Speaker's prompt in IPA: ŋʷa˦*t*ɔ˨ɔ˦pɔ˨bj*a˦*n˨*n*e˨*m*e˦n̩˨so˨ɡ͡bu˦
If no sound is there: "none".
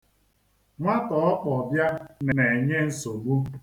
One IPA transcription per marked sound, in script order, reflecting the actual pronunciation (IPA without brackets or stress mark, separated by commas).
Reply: t, a˦, n, ɲ